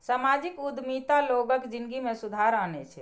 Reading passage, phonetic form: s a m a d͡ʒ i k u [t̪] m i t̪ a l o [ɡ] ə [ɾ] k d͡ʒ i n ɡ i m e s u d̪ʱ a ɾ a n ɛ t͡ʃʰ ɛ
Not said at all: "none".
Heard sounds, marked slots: d̪, ɡ, none

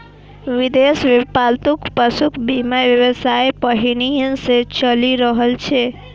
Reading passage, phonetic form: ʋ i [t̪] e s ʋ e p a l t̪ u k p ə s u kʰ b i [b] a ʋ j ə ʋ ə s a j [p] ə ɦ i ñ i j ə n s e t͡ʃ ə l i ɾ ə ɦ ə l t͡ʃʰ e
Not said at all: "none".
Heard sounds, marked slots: d̪, m, p

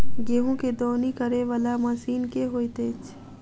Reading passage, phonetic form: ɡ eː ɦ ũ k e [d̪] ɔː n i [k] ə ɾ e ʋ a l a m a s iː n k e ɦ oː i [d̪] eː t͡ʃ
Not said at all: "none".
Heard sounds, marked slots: d̪, k, t̪

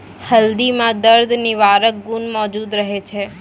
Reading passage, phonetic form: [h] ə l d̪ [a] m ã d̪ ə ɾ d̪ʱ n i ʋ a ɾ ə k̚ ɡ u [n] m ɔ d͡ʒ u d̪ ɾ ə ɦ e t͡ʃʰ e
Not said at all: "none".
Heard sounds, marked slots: h, i, n

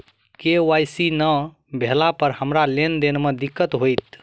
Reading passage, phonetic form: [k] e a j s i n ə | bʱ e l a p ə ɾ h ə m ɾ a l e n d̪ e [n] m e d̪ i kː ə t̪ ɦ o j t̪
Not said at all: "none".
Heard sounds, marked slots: k, n

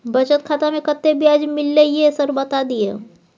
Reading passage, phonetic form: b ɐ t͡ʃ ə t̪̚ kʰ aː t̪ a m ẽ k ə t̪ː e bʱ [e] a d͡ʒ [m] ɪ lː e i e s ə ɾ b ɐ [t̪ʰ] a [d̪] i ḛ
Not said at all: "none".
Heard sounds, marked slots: i, m, t̪, d̪

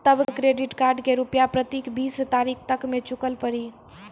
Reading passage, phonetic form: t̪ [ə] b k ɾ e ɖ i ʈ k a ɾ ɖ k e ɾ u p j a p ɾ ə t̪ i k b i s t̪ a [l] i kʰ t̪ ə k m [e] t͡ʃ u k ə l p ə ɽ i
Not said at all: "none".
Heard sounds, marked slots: ə, ɾ, e

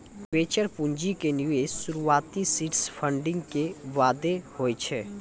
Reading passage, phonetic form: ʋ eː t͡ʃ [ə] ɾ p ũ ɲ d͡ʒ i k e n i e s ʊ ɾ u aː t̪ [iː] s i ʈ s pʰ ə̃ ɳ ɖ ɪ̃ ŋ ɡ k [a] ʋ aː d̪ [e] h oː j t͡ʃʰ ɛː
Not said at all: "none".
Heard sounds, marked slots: ə, i, e, e

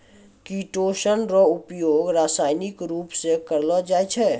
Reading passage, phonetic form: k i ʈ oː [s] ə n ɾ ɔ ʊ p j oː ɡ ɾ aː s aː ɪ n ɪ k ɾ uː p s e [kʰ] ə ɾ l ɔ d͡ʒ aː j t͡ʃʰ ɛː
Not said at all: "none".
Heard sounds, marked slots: ʃ, k

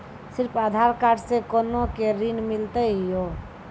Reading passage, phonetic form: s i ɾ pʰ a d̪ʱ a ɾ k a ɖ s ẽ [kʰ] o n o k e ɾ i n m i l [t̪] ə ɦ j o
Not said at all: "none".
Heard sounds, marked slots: k, t̪

